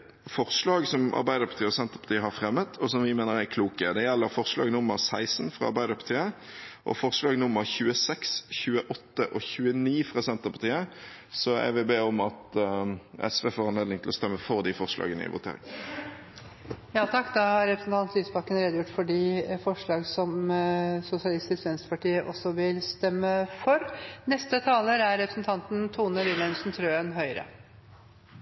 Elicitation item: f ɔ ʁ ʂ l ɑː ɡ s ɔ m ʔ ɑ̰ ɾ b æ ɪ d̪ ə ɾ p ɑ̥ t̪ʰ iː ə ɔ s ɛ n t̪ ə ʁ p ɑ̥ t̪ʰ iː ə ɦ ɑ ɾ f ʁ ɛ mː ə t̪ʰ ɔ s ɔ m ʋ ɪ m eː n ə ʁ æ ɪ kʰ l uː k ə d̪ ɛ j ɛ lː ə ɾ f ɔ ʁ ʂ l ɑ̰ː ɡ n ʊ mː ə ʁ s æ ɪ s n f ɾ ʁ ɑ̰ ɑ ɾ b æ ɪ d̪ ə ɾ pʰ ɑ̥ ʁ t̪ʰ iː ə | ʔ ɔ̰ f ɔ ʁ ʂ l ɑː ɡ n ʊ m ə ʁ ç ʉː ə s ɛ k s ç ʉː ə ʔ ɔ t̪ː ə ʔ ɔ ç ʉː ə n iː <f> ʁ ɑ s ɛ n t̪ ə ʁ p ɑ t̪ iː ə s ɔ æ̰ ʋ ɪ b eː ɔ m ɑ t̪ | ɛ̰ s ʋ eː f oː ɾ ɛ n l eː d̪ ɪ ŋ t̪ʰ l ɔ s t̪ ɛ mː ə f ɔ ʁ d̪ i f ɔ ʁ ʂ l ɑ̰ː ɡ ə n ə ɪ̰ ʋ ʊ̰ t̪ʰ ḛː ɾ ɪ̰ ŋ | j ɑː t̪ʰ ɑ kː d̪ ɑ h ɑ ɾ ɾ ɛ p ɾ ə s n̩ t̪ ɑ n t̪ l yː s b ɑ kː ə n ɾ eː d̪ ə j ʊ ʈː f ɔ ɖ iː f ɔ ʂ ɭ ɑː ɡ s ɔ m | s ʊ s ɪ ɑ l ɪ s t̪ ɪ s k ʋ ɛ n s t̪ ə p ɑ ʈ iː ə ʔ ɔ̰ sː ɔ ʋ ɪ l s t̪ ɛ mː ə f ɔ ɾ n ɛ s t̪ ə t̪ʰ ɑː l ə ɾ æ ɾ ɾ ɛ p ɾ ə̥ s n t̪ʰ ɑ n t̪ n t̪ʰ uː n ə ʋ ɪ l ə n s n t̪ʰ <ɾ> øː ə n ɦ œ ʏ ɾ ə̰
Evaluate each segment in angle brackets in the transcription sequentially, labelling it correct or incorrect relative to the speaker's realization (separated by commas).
correct, correct